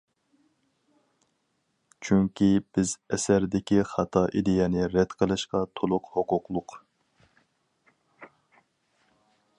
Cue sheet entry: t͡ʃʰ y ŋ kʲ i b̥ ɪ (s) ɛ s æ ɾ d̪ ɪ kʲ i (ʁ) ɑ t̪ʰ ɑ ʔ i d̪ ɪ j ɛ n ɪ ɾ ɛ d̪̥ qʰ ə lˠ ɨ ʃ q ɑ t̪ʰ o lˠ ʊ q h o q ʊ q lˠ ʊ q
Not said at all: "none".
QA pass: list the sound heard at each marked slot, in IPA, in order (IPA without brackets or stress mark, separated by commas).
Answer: z, χ